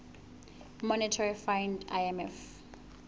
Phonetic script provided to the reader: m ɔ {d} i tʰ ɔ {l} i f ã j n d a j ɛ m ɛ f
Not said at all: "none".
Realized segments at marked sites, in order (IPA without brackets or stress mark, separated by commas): n, ɹ